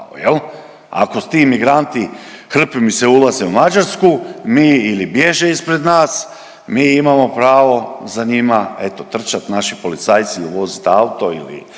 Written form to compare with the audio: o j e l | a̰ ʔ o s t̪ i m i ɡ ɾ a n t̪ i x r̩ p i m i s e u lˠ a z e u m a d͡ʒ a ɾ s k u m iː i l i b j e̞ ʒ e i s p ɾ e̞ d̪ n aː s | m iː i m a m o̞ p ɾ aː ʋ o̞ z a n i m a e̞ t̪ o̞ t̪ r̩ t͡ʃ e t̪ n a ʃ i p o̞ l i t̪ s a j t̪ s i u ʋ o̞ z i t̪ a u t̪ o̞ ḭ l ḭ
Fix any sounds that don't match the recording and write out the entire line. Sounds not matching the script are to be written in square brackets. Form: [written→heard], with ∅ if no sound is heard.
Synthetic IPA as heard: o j e l | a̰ [ʔ→k] o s t̪ i m i ɡ ɾ a n t̪ i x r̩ p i m i s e u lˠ a z e u m a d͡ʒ a ɾ s k u m iː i l i b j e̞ ʒ e i s p ɾ e̞ d̪ n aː s | m iː i m a m o̞ p ɾ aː ʋ o̞ z a [n→ɲ] i m a e̞ t̪ o̞ t̪ r̩ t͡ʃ [e→a] t̪ n a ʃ i p o̞ l i t̪ s a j t̪ s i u ʋ o̞ z i t̪ a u t̪ o̞ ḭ l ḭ